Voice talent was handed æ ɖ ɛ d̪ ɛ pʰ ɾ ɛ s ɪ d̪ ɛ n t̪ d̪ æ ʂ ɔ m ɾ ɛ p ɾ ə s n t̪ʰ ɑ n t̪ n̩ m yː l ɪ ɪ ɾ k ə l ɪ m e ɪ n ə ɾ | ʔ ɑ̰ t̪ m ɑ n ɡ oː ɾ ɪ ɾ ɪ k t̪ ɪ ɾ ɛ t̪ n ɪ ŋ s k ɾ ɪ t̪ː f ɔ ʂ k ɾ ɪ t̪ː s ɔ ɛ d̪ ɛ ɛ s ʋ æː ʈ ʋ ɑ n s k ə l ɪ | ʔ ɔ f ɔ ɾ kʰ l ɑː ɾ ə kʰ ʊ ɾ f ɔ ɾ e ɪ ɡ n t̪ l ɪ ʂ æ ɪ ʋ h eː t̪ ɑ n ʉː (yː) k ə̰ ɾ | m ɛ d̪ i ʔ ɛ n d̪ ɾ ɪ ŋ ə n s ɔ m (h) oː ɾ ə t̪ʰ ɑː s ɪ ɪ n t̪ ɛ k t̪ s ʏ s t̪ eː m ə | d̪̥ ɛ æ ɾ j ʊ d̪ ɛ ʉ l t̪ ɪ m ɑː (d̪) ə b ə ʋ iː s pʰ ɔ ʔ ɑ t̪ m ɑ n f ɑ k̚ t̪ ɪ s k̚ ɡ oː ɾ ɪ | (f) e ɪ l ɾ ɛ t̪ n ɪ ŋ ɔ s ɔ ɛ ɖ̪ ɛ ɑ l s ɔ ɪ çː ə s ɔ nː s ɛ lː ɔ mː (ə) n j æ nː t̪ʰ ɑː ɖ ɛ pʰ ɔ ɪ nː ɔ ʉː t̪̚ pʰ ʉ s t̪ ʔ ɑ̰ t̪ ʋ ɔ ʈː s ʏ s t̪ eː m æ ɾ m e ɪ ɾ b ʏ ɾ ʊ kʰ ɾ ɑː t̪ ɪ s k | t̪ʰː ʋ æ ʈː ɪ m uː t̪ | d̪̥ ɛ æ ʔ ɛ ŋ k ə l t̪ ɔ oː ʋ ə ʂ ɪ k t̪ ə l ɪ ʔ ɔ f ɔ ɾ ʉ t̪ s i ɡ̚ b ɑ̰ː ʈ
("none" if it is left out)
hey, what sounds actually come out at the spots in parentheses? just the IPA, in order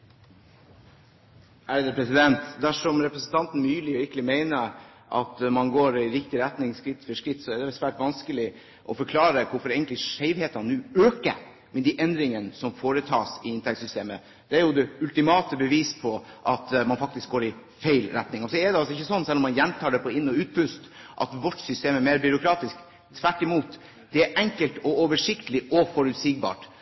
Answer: øː, f, t̪, f, ɑ

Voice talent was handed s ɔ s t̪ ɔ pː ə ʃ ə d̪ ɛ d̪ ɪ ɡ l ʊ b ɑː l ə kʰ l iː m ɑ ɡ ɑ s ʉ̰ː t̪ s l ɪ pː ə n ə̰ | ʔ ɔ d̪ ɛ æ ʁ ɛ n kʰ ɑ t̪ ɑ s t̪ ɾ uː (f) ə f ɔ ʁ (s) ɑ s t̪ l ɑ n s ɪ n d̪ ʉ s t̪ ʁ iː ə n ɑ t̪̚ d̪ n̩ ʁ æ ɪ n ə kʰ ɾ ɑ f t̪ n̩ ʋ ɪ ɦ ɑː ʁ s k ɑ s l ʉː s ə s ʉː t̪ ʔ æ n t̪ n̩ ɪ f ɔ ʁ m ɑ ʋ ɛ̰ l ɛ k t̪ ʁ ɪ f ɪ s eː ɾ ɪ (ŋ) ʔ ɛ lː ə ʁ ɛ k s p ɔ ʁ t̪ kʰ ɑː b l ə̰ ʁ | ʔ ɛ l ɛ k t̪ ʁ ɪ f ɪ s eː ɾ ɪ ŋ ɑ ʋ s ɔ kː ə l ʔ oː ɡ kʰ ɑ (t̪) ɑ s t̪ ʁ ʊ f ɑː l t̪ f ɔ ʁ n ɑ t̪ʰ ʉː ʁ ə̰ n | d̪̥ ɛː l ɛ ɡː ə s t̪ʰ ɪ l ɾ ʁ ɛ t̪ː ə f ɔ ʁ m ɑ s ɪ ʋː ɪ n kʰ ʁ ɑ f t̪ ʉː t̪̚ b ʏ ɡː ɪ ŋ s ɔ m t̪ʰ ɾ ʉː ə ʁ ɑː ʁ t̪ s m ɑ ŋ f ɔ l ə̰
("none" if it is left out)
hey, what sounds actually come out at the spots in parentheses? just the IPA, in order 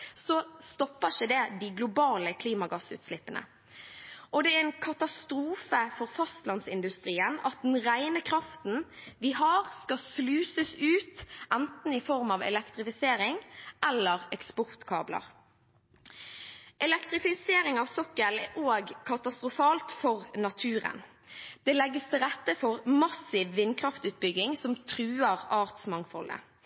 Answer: f, f, ŋ, t̪

